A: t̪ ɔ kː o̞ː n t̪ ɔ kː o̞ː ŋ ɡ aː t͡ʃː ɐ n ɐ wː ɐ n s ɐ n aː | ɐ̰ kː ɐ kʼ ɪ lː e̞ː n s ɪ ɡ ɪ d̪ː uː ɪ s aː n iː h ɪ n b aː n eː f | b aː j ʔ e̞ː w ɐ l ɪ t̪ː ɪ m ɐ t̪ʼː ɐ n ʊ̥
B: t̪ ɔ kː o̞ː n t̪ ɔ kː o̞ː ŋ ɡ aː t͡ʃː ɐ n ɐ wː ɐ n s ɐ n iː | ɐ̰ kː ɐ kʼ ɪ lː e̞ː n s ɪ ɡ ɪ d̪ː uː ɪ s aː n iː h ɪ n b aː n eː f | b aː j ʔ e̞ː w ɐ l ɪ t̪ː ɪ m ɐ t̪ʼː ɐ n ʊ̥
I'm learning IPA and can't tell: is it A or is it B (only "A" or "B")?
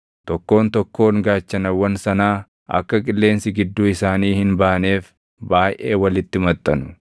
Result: A